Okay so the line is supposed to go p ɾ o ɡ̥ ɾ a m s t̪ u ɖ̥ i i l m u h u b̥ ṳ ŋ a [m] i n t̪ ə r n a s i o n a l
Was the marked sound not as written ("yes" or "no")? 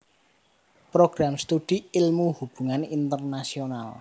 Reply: yes